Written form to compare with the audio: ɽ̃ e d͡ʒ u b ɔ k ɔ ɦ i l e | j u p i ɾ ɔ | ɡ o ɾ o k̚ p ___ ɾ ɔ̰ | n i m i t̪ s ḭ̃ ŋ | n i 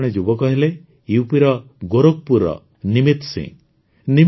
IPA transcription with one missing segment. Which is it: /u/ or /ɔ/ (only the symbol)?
u